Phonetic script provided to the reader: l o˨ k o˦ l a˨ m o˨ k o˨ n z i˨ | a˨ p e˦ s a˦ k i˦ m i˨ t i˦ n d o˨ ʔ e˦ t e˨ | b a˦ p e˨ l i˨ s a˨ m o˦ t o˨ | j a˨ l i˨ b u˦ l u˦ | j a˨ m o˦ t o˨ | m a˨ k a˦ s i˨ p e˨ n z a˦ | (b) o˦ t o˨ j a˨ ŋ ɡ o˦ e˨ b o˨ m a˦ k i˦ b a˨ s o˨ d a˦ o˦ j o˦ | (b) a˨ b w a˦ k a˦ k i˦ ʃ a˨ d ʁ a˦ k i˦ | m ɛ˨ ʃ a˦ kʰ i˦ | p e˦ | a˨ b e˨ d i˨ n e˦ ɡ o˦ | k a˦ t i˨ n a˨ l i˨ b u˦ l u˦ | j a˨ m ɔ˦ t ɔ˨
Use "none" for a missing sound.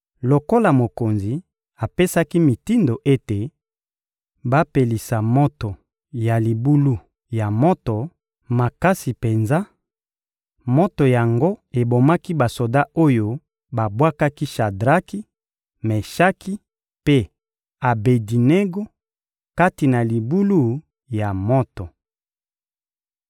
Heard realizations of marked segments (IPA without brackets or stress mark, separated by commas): m, b